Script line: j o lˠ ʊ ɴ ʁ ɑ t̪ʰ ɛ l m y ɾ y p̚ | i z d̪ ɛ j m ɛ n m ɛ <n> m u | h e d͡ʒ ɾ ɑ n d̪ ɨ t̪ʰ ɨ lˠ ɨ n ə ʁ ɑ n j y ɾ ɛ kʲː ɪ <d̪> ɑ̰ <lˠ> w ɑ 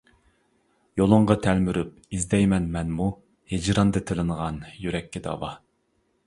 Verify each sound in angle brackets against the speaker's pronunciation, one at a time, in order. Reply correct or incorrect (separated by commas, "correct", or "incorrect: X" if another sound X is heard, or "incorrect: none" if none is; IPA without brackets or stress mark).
correct, correct, incorrect: none